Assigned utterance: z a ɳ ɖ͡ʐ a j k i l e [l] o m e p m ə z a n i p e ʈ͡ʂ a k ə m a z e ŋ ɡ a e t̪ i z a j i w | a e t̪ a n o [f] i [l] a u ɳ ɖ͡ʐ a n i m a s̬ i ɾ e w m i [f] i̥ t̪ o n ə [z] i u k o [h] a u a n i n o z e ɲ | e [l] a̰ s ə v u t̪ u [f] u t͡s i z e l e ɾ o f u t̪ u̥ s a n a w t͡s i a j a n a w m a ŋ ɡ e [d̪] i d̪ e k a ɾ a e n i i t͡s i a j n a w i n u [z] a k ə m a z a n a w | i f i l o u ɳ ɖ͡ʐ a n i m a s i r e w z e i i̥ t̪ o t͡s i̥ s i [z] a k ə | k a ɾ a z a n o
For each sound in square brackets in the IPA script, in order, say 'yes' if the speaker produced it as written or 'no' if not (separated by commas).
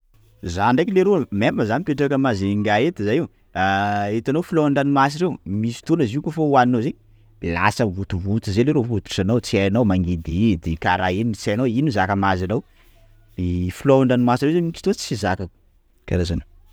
no, yes, yes, no, yes, no, yes, no, yes, yes, yes